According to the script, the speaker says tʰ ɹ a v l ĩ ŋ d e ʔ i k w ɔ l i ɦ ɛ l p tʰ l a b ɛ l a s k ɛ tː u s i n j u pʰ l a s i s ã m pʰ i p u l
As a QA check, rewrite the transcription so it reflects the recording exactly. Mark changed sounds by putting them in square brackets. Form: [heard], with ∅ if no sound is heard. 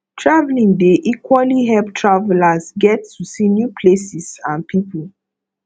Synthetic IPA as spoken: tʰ ɹ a v l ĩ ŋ d e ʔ i k w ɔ l i ɦ ɛ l p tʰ [ɹ] a [v] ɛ l a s [ɡ] ɛ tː u s i n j u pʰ l [e] s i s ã [n] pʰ i p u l